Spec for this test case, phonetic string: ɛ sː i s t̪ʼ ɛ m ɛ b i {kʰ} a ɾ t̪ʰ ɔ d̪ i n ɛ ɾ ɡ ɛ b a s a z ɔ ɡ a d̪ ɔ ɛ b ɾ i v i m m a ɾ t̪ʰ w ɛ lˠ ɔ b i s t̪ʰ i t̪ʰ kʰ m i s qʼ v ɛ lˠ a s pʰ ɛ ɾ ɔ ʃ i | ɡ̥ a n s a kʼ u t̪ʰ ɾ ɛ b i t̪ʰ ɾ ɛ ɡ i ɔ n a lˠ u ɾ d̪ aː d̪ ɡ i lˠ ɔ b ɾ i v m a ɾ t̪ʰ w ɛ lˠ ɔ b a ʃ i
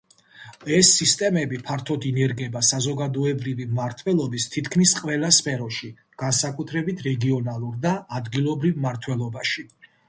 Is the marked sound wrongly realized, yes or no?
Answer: yes